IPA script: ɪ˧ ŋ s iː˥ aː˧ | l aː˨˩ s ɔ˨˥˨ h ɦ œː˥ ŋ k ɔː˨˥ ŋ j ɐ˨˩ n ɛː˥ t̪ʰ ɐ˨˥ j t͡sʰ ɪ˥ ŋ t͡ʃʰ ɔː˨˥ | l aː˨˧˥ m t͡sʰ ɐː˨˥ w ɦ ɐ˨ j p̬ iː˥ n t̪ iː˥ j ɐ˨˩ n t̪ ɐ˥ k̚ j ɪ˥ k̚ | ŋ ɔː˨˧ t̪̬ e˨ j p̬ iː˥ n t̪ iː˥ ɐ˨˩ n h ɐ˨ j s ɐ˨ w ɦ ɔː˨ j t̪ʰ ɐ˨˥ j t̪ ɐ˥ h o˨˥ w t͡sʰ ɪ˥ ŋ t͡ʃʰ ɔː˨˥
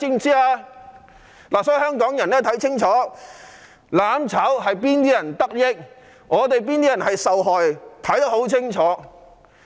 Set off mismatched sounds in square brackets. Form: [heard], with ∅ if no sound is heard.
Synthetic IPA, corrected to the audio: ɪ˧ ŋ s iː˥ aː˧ | l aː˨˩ s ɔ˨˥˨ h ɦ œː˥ ŋ k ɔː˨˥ ŋ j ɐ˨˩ n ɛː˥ t̪ʰ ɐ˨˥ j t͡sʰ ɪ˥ ŋ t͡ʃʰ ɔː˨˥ | l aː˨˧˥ m t͡sʰ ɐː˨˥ w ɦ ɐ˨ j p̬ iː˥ n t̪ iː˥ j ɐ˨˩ n t̪ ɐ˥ k̚ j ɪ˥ k̚ | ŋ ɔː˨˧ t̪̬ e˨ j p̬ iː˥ n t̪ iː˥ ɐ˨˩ n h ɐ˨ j s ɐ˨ w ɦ ɔː˨ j t̪ʰ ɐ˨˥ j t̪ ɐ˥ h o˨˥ w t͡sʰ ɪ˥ ŋ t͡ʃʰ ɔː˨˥